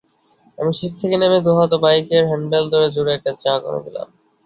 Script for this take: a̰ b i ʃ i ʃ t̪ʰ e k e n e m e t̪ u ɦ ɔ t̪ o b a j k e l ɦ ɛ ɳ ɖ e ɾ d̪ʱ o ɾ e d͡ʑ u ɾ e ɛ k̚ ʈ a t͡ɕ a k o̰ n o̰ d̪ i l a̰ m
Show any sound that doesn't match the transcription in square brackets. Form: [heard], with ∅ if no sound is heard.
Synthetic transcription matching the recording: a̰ [m] i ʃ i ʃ t̪ʰ e k e n e m e [d̪] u ɦ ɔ t̪ o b a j k e [ɾ] ɦ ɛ ɳ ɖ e [l] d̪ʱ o ɾ e d͡ʑ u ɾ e ɛ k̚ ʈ a t͡ɕ a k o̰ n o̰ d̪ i l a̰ m